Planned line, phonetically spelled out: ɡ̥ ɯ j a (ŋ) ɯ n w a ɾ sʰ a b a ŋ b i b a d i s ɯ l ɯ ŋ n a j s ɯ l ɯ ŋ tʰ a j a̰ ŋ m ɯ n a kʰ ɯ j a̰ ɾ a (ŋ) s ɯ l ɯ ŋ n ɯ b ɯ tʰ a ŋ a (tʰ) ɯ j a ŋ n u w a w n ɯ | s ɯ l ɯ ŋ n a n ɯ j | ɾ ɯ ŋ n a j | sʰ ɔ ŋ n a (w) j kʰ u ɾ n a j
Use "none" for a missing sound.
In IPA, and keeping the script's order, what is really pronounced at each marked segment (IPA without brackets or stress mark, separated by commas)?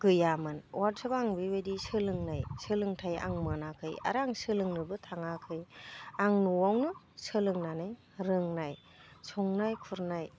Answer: m, ŋ, kʰ, none